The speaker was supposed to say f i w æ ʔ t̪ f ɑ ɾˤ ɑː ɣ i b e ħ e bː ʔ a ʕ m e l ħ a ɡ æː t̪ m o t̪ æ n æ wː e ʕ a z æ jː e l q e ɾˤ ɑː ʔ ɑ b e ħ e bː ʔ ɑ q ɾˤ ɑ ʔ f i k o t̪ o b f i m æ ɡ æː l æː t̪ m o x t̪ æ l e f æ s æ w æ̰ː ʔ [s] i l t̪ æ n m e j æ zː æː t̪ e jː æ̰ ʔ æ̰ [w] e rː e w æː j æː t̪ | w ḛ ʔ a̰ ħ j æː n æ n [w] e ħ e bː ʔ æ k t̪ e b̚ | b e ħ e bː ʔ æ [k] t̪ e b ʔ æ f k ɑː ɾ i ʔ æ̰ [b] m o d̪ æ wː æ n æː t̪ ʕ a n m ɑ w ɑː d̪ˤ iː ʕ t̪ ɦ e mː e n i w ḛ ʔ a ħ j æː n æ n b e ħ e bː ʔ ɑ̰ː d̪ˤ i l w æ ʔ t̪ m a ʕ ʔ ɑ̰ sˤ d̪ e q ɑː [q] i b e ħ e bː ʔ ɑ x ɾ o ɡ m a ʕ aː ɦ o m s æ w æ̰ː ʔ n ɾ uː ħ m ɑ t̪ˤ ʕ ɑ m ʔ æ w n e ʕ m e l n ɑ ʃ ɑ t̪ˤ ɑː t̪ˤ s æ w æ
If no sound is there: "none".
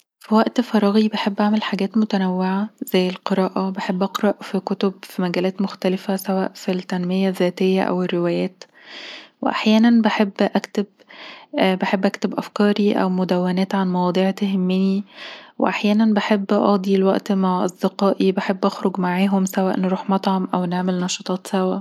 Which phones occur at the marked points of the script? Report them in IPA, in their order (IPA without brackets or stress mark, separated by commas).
f, w, b, k, w, ʔ